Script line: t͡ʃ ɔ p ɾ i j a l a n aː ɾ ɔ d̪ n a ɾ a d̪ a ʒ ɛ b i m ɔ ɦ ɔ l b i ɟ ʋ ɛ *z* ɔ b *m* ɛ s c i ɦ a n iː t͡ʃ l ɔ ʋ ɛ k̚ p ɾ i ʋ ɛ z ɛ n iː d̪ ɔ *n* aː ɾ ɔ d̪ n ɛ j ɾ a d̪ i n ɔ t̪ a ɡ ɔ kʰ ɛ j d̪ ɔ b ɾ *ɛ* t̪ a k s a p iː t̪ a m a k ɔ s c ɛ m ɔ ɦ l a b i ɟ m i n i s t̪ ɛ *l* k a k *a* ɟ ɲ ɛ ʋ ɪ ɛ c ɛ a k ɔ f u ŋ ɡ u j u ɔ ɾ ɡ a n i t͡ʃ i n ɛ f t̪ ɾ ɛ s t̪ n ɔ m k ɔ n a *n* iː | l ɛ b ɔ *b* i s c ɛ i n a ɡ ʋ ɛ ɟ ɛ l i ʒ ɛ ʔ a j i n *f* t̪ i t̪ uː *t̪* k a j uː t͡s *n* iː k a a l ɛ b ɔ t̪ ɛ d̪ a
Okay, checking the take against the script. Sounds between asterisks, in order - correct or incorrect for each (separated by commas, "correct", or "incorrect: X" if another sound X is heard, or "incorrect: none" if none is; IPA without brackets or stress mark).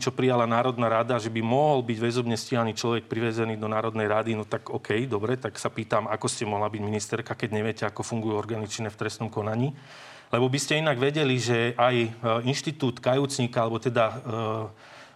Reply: correct, incorrect: ɲ, correct, correct, incorrect: ɾ, incorrect: ɛ, incorrect: ɲ, correct, incorrect: ʃ, correct, incorrect: ɲ